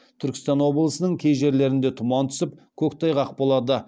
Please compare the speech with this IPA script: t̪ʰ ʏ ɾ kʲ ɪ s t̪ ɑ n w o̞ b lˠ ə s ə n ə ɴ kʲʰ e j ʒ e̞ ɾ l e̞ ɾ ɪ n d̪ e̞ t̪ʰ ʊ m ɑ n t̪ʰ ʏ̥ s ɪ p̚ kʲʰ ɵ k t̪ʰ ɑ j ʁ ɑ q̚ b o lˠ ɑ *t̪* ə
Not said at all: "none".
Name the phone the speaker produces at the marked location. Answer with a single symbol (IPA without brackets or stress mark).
d̪